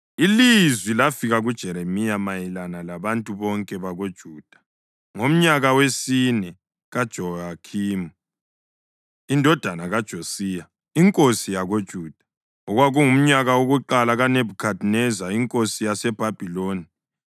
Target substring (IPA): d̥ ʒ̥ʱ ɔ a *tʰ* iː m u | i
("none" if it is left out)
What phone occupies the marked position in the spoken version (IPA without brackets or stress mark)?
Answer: kʰ